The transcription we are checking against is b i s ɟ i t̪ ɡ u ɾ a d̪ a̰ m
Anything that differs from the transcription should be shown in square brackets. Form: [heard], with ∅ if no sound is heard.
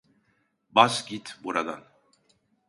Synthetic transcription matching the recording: b [a] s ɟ i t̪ [b] u ɾ a d̪ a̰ [n]